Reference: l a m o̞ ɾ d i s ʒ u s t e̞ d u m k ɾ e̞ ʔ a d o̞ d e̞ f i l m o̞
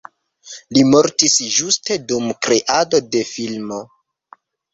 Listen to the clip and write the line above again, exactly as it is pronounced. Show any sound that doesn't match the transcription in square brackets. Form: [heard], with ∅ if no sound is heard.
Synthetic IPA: l [i] m o̞ ɾ [t] i s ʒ u s t e̞ d u m k ɾ e̞ ʔ a d o̞ d e̞ f i l m o̞

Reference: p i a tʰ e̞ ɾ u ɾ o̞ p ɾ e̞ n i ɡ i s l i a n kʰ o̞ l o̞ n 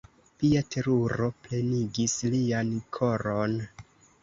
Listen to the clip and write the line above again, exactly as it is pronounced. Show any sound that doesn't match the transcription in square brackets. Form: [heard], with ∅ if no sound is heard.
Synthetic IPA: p i a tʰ e̞ ɾ u ɾ o̞ p [l] e̞ n i ɡ i s l i a n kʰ o̞ [ɾ] o̞ n

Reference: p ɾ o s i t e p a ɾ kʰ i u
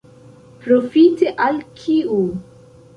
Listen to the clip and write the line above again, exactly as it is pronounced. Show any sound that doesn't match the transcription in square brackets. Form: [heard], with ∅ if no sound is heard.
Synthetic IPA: p ɾ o [f] i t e [ʔ] a [l] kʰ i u

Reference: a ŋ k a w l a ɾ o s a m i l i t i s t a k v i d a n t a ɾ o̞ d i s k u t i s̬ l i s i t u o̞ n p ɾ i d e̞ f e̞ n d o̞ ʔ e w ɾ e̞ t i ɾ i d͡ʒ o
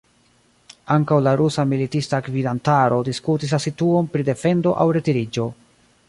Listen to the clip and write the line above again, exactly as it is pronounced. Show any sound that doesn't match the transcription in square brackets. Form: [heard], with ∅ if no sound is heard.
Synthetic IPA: a ŋ k a w l a ɾ [u] s a m i l i t i s t a k v i d a n t a ɾ o̞ d i s k u t i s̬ l [a] s i t u o̞ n p ɾ i d e̞ f e̞ n d o̞ ʔ [a] w ɾ e̞ t i ɾ i d͡ʒ o

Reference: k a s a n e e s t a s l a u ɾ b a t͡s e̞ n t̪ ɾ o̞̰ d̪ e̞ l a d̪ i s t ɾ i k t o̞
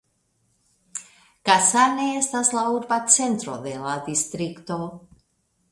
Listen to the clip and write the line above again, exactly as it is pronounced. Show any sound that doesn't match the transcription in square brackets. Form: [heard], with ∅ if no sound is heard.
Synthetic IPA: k a s a n e e s t a s l a u ɾ b a t͡s e̞ n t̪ ɾ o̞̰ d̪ e̞ l a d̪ i s t ɾ i k t o̞

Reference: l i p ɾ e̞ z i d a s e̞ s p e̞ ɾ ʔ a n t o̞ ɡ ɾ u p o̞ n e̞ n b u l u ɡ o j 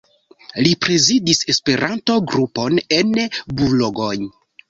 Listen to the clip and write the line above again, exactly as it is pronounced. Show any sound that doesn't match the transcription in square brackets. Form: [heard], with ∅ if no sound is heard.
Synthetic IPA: l i p ɾ e̞ z i d [i] s e̞ s p e̞ ɾ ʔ a n t o̞ ɡ ɾ u p o̞ n e̞ n b u l [o] ɡ o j

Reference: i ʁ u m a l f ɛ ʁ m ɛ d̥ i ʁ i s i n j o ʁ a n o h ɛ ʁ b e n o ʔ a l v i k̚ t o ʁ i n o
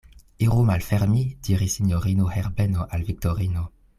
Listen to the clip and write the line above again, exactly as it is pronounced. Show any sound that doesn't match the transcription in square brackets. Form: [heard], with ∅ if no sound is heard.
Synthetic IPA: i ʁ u m a l f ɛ ʁ m [i] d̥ i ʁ i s i n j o ʁ [i] n o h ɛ ʁ b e n o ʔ a l v i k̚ t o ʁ i n o

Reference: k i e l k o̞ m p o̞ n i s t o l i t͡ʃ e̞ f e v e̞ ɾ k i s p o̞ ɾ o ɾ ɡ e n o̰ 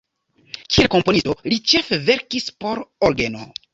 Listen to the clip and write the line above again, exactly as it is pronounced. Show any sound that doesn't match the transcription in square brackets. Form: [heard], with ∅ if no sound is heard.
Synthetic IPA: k i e l k o̞ m p o̞ n i s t o l i t͡ʃ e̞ f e v e̞ ɾ k i s p o̞ ɾ o ɾ ɡ e n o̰

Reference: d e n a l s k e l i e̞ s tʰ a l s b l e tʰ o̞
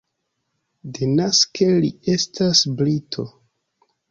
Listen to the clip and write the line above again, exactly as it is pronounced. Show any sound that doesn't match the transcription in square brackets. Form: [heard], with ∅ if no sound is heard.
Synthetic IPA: d e n a [∅] s k e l i e̞ s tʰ a [∅] s b l [i] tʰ o̞

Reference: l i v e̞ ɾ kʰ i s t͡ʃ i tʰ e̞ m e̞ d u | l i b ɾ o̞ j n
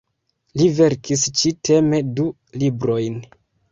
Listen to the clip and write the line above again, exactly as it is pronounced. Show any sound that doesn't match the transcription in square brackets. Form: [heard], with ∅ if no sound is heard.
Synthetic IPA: l i v e̞ ɾ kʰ i s t͡ʃ i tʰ e̞ m e̞ d u | l i b ɾ o̞ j n

